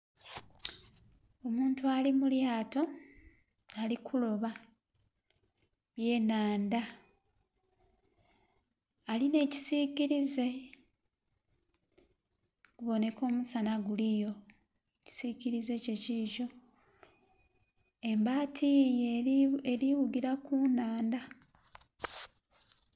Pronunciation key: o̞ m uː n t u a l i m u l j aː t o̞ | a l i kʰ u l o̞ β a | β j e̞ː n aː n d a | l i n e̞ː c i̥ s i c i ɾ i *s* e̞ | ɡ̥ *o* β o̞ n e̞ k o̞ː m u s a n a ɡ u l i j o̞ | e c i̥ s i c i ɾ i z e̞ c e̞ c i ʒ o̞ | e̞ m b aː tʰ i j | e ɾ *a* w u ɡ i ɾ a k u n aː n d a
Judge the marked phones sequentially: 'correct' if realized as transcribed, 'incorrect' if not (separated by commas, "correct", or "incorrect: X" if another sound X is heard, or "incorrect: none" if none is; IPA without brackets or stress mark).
incorrect: z, incorrect: u, incorrect: i